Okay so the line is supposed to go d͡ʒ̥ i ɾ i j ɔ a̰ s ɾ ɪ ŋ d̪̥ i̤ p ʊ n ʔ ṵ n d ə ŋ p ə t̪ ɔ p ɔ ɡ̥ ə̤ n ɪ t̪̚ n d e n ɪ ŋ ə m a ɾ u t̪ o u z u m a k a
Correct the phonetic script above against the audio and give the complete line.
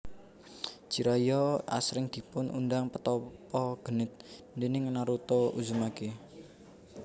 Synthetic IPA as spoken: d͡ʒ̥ i ɾ a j ɔ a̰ s ɾ ɪ ŋ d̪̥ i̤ p ʊ n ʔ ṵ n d a ŋ p ə t̪ ɔ p ɔ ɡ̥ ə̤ n ɪ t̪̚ n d e n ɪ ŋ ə n a ɾ u t̪ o u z u m a k e